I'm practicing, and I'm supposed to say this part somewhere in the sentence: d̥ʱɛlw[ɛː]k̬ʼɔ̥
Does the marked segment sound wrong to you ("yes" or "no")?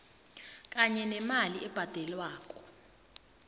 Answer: yes